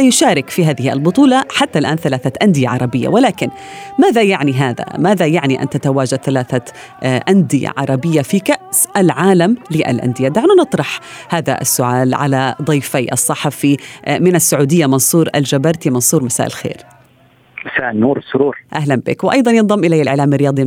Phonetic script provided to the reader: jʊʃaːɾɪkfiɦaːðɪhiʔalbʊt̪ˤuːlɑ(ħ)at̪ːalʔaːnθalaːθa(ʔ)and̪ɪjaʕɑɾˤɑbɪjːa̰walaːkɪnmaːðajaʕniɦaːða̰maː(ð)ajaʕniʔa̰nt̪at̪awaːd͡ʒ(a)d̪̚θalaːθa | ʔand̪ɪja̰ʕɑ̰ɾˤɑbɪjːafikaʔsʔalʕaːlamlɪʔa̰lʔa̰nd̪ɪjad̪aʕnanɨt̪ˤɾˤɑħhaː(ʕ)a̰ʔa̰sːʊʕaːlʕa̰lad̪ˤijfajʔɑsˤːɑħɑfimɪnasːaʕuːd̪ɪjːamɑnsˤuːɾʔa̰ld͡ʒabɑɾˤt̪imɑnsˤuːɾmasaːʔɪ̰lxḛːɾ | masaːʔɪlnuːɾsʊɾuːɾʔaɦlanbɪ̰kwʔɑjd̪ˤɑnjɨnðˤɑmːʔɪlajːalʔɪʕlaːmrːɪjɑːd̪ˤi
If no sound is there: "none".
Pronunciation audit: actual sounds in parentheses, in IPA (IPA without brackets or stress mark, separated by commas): ħ, ʔ, ð, a, ð